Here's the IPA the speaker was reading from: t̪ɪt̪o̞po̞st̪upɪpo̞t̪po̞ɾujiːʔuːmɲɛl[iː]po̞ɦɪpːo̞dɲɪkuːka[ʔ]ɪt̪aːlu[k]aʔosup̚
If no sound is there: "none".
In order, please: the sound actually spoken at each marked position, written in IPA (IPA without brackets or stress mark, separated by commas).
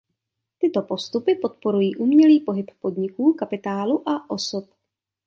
iː, p, ʔ